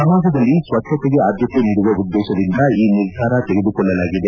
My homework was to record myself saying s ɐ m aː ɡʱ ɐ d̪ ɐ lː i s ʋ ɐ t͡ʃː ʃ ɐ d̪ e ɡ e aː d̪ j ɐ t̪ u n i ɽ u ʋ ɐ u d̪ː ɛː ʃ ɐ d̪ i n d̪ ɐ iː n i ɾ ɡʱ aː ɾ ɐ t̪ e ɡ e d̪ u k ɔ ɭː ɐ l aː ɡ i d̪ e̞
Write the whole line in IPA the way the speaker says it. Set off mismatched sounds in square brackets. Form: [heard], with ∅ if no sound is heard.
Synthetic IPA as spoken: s ɐ m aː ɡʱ ɐ d̪ ɐ lː i s ʋ ɐ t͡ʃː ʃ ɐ [t̪] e ɡ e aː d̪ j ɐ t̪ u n i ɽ u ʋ ɐ u d̪ː ɛː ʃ ɐ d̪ i n d̪ ɐ iː n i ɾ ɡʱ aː ɾ ɐ t̪ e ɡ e d̪ u k ɔ ɭː ɐ l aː ɡ i d̪ e̞